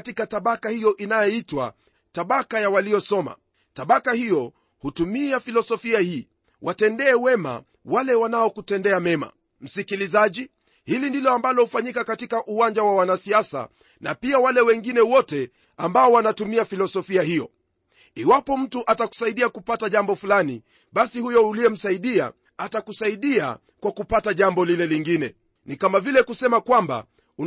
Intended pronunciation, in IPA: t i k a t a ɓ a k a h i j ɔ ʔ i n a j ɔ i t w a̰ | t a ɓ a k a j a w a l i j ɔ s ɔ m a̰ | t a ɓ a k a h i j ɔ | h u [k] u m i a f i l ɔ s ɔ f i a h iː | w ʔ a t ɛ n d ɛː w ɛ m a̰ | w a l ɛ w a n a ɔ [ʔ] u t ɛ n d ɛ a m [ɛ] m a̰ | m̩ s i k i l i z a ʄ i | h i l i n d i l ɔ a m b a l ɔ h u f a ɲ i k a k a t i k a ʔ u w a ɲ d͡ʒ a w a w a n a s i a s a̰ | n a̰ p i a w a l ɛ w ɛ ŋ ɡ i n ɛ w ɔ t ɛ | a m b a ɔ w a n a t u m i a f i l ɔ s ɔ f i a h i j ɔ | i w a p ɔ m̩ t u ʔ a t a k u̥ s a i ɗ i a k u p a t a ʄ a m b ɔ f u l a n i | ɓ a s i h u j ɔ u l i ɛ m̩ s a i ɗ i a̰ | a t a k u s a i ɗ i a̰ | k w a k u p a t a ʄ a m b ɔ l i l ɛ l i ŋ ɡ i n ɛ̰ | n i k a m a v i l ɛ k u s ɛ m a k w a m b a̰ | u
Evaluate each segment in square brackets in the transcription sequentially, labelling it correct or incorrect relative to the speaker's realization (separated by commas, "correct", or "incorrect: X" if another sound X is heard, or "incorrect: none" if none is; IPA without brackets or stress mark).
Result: incorrect: t, incorrect: k, correct